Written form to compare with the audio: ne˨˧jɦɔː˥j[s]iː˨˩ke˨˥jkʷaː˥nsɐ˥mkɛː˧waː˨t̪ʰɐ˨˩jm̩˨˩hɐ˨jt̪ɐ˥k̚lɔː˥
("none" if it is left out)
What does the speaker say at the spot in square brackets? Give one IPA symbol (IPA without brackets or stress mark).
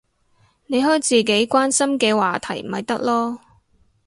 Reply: t͡s